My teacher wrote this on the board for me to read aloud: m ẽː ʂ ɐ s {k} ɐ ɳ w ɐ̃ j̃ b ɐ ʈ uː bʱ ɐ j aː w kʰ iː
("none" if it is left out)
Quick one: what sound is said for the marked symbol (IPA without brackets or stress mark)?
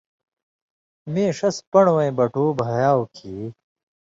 p